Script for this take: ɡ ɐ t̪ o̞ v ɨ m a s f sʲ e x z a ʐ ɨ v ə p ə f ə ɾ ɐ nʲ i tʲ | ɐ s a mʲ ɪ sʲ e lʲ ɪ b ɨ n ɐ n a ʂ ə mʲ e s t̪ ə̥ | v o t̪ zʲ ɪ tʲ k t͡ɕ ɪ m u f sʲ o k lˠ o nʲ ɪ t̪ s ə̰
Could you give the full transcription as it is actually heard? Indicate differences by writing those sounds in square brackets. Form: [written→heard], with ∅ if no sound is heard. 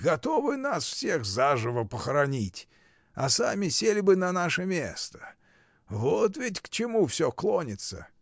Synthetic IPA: ɡ ɐ t̪ o̞ v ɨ [m→n] a s f sʲ e x z a ʐ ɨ v ə p ə [f→x] ə ɾ ɐ nʲ i tʲ | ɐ s a mʲ ɪ sʲ e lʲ ɪ b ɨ n ɐ n a ʂ ə mʲ e s t̪ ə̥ | v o t̪ [zʲ→vʲ] ɪ tʲ k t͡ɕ ɪ m u f sʲ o k lˠ o nʲ ɪ t̪ s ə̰